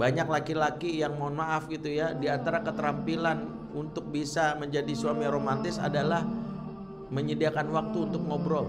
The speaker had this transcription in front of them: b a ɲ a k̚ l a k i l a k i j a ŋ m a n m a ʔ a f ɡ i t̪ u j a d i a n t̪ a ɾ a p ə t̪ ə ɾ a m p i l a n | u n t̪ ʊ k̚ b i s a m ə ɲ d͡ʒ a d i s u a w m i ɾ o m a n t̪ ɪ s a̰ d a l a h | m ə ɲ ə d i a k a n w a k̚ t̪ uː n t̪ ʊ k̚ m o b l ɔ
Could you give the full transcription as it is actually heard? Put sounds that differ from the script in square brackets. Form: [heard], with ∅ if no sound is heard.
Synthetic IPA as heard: b a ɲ a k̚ l a k i l a k i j a ŋ m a n m a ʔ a f ɡ i t̪ u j a d i a n t̪ a ɾ a [k] ə t̪ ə ɾ a m p i l a n | u n t̪ ʊ k̚ b i s a m ə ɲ d͡ʒ a d i s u a [∅] m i ɾ o m a n t̪ ɪ s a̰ d a l a h | m ə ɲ ə d i a k a n w a k̚ t̪ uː n t̪ ʊ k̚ [ŋ] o b [ɾ] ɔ

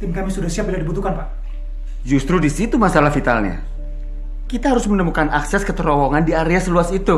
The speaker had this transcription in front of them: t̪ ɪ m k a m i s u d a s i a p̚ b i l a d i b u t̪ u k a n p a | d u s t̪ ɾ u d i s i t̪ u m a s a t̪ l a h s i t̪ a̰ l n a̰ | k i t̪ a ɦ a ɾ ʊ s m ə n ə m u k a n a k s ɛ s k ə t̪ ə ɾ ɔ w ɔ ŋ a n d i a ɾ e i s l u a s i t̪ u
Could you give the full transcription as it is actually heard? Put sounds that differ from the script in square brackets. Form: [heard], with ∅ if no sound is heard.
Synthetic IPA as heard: t̪ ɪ m k a m i s u d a s i a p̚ b i l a d i b u t̪ u k a n p a | [d͡ʒ] u s t̪ ɾ u d i s i t̪ u m a s a [∅] l a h [f] i t̪ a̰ l [ɲ] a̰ | k i t̪ a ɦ a ɾ ʊ s m ə n ə m u k a n a k s ɛ s k ə t̪ ə ɾ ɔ w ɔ ŋ a n d i a ɾ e [a] s l u a s i t̪ u

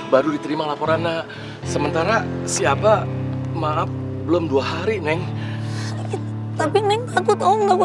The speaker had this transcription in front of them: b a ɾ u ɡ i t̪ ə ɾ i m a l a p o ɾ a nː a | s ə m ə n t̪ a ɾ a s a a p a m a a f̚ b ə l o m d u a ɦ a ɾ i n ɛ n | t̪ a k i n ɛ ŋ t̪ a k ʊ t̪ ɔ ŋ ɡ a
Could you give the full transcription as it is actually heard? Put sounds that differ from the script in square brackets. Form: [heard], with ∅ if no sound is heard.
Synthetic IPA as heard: b a ɾ u [d] i t̪ ə ɾ i m a l a p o ɾ a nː a | s ə m ə n t̪ a ɾ a s [i] a p a m a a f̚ b ə l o m d u a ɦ a ɾ i n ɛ [ŋ] | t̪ a [p] i n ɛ ŋ t̪ a k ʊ t̪ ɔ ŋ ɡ a

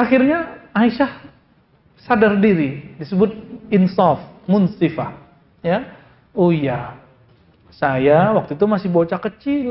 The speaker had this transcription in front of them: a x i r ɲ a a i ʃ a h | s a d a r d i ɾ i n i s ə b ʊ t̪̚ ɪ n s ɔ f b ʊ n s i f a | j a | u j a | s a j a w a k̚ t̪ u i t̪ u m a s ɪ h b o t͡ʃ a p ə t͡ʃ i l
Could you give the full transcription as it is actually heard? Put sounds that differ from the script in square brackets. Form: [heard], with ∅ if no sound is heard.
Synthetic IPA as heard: a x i r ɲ a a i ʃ a h | s a d a r d i ɾ i [d] i s ə b ʊ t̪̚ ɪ n s ɔ f [m] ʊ n s i f a | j a | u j a | s a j a w a k̚ t̪ u i t̪ u m a s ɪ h b o t͡ʃ a [k] ə t͡ʃ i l

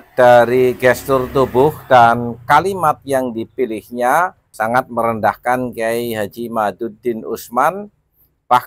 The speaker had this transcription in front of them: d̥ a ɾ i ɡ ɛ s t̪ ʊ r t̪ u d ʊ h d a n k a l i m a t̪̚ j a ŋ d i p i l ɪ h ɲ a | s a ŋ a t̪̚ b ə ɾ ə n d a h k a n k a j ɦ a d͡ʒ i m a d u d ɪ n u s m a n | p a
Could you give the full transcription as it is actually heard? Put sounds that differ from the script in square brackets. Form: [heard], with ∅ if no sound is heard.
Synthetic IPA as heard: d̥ a ɾ i ɡ ɛ s t̪ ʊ r t̪ u [b] ʊ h d a n k a l i m a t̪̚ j a ŋ d i p i l ɪ h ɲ a | s a ŋ a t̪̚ [m] ə ɾ ə n d a h k a n k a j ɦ a d͡ʒ i m a d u d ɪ n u s m a n | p a

